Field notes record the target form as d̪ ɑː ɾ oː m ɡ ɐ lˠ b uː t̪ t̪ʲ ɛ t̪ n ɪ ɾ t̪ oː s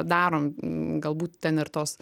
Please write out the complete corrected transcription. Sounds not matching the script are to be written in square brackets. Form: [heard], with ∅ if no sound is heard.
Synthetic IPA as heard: d̪ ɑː ɾ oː m ɡ ɐ lˠ b uː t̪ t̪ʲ ɛ [∅] n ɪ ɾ t̪ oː s